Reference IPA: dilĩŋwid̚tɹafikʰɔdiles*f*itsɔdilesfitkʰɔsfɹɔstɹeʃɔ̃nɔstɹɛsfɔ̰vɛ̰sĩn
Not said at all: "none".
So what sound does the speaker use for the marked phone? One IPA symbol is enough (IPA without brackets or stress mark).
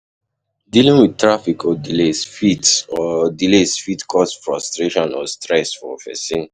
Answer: f